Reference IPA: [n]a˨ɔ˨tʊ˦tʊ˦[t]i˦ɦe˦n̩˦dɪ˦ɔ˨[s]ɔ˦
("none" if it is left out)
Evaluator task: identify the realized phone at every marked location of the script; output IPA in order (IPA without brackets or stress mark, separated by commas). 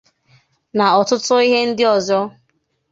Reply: n, none, z